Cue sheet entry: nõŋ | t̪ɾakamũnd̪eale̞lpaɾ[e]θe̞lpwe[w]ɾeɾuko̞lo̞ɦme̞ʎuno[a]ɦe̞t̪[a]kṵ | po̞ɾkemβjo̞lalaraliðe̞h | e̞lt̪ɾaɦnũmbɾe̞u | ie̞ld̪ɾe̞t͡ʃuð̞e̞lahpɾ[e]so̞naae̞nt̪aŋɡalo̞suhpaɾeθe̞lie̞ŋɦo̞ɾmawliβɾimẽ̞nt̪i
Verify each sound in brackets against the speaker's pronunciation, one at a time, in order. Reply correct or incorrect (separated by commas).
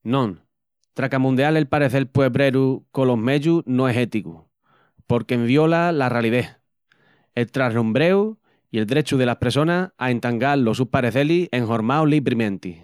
correct, incorrect, incorrect, incorrect, correct